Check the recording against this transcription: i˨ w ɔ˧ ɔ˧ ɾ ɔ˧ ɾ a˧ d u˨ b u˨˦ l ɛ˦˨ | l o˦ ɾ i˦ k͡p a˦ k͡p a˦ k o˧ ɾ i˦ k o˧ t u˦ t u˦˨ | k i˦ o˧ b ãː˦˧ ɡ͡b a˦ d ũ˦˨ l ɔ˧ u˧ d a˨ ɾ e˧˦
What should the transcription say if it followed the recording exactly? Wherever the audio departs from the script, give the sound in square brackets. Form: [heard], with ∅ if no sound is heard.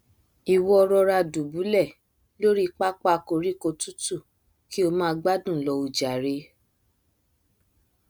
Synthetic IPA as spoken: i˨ w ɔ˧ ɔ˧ ɾ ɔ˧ ɾ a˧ d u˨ b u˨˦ l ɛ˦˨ | l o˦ ɾ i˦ k͡p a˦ k͡p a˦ k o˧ ɾ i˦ k o˧ t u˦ t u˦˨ | k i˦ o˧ [m] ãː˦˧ ɡ͡b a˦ d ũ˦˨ l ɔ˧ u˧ [d͡ʒ] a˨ ɾ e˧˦